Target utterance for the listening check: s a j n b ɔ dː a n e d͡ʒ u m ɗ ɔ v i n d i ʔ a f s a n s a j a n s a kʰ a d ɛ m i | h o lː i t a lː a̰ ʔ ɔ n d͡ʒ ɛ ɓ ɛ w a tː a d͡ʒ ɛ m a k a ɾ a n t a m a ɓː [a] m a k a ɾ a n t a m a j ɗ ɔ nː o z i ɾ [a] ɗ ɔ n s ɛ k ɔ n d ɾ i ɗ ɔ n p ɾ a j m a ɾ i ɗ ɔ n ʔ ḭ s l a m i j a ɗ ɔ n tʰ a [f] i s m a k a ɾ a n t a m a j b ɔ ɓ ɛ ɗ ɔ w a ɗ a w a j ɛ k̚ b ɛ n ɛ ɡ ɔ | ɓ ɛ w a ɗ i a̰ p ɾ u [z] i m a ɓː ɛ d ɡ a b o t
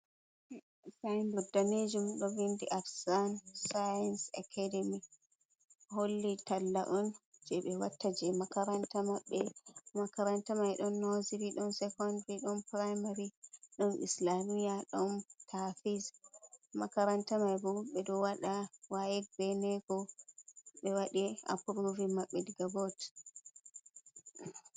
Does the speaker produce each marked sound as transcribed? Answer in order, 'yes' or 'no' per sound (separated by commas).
no, no, yes, no